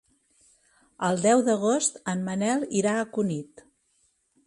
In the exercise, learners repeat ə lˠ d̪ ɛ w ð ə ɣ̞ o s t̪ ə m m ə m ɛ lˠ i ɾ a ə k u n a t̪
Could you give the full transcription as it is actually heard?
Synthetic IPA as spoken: ə lˠ d̪ ɛ w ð ə ɣ̞ o s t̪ ə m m ə n ɛ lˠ i ɾ a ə k u n i t̪

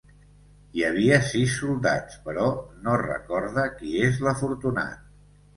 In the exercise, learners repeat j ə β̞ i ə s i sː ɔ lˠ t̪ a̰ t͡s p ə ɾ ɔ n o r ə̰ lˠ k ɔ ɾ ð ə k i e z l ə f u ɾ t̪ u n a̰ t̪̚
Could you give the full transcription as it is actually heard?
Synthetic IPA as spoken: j ə β̞ i ə s i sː u lˠ d̪ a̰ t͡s p ə ɾ ɔ n o r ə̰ k ɔ ɾ ð ə k i e z l ə f u ɾ t̪ u n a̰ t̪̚

